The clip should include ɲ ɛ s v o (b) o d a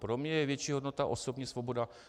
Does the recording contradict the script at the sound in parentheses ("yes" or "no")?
no